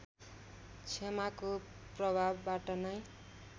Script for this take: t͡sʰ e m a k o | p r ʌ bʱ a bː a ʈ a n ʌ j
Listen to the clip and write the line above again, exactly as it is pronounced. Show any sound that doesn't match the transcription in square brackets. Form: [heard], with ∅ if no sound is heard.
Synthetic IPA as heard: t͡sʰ e m a k o | p r ʌ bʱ a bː a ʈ [ʌ] n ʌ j